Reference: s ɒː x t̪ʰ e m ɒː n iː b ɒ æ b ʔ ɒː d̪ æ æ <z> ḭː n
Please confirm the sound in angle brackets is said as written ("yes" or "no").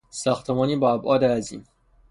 yes